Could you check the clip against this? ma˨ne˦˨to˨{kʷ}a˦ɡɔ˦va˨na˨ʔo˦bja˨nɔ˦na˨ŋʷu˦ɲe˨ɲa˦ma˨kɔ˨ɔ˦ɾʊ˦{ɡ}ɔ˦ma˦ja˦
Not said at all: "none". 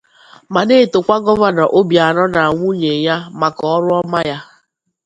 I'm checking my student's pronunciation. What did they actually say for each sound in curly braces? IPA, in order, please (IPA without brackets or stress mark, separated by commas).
kʷ, none